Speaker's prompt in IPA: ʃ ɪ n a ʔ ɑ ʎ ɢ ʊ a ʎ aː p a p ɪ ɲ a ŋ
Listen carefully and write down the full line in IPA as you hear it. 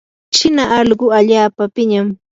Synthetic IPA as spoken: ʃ ɪ n a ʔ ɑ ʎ ɢ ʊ a ʎ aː p a p ɪ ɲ a m